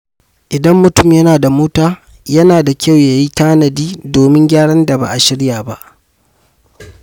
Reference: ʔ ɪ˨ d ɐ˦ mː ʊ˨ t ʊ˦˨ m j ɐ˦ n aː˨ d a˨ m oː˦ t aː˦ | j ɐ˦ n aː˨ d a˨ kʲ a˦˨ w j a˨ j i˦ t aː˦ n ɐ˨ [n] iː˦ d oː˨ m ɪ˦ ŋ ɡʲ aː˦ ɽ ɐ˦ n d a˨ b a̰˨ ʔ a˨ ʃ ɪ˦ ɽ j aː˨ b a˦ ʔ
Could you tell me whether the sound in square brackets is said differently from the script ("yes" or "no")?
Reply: yes